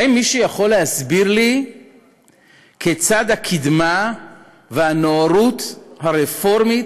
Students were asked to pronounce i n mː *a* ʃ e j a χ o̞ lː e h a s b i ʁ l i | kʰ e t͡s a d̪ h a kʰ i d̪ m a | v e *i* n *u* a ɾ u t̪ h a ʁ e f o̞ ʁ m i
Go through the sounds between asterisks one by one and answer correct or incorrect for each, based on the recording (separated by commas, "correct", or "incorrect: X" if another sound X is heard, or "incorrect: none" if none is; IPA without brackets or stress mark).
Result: incorrect: i, incorrect: a, incorrect: o